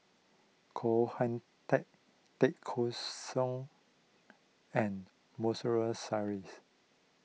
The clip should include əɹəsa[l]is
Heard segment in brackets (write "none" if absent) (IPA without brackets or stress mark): ɹ